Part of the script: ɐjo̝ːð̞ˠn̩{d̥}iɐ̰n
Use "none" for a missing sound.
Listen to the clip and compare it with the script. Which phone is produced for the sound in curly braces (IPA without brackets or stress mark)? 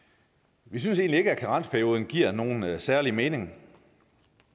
ɡ̥